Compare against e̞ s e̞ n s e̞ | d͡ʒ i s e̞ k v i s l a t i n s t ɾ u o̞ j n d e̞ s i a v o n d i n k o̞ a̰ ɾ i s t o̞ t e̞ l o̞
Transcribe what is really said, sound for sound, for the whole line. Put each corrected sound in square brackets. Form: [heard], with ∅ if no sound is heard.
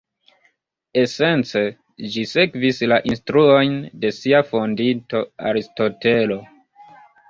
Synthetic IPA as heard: e̞ s e̞ n [t͡s] e̞ | d͡ʒ i s e̞ k v i s l a [ʔ] i n s t ɾ u o̞ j n d e̞ s i a [f] o n d i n [t] o̞ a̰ ɾ i s t o̞ t e̞ l o̞